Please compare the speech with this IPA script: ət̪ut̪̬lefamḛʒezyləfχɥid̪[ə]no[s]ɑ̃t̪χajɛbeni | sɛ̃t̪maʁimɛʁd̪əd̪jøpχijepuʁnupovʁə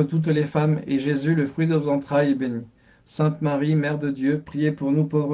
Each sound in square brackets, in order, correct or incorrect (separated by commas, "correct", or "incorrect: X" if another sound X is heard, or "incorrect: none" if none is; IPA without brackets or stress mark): correct, incorrect: z